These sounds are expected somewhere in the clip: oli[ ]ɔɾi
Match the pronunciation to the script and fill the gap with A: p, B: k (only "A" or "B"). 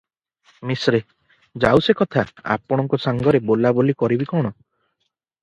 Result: B